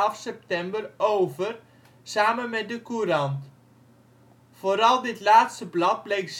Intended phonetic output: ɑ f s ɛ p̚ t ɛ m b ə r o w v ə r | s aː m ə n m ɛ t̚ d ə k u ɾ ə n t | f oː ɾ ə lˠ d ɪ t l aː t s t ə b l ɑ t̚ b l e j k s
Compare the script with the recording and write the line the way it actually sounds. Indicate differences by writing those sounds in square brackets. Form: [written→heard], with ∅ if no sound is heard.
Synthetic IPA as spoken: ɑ f s ɛ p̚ t ɛ m b ə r o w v ə r | s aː m ə n m ɛ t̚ d ə k u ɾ [ə→ɑ] n t | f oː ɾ [ə→ɑ] lˠ d ɪ t l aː t s t ə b l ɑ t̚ b l e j k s